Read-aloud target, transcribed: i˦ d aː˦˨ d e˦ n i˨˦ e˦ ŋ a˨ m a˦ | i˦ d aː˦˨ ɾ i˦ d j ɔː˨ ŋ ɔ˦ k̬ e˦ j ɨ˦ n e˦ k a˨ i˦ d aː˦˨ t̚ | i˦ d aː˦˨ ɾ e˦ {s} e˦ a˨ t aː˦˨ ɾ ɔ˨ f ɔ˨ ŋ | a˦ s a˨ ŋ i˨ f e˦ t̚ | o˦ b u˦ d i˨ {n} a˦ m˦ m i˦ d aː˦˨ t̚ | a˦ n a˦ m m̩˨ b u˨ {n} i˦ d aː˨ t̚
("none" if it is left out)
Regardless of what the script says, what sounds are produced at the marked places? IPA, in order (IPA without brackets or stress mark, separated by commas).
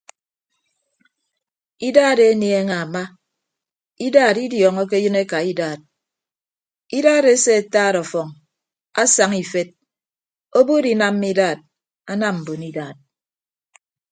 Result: s, n, n